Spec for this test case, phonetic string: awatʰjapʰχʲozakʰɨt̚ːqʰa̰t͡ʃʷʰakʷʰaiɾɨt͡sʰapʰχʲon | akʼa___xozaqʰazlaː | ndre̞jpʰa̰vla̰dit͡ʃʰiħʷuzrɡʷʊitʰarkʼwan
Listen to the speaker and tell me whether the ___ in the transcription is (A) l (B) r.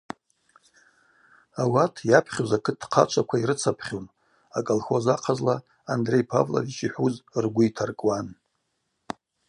A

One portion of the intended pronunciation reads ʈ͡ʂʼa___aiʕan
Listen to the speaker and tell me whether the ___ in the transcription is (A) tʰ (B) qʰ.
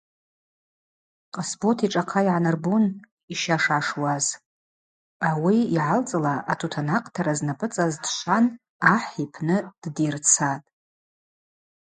B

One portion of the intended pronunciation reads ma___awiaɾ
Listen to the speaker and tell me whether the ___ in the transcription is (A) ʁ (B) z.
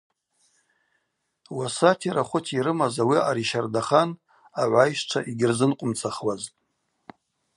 B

